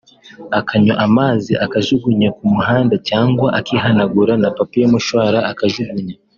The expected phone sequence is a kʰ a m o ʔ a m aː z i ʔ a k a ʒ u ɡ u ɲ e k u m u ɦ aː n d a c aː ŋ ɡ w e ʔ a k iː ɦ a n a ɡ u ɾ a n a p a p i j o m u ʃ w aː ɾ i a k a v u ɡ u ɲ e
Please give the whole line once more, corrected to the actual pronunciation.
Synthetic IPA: a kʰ a ɲ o ʔ a m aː z i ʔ a k a ʒ u ɡ u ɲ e k u m u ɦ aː n d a c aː ŋ ɡ w a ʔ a k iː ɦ a n a ɡ u ɾ a n a p a p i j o m u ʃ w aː ɾ a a k a ʒ u ɡ u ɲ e